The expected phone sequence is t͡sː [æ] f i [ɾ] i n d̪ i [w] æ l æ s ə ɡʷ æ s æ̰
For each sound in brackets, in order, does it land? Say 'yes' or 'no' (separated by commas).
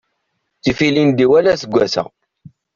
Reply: no, no, yes